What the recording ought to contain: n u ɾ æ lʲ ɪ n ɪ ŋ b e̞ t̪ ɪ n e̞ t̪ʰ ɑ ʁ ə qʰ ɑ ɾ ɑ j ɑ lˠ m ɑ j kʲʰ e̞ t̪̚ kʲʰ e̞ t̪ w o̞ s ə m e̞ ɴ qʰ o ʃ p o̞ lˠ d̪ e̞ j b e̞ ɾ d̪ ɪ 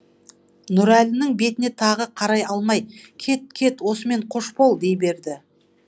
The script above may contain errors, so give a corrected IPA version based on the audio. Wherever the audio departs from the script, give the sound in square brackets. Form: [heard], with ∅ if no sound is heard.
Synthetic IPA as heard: n [ʊ] ɾ æ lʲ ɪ n ɪ ŋ b e̞ t̪ ɪ n e̞ t̪ʰ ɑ ʁ ə qʰ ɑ ɾ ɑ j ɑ lˠ m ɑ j kʲʰ e̞ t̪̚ kʲʰ e̞ t̪ w o̞ s ə m e̞ ɴ qʰ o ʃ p o̞ lˠ d̪ e̞ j b e̞ ɾ d̪ ɪ